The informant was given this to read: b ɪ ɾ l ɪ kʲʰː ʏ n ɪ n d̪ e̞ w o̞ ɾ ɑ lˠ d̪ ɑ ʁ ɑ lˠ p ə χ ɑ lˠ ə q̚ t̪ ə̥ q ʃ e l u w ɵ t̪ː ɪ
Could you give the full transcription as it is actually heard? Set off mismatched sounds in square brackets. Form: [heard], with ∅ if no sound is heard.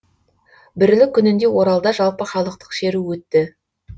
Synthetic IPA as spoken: b ɪ ɾ l ɪ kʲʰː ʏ n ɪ n d̪ e̞ w o̞ ɾ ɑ lˠ d̪ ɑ [ʒ] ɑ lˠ p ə χ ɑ lˠ ə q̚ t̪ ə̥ q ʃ e [ɾ] u w ɵ t̪ː ɪ